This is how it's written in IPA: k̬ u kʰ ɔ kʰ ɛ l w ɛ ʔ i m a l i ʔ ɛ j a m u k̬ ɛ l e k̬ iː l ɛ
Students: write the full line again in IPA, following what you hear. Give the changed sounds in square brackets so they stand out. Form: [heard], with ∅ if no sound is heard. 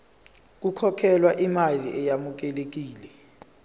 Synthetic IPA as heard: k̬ u kʰ ɔ kʰ ɛ l w [a] ʔ i m a l i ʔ ɛ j a m u k̬ ɛ l e k̬ iː l ɛ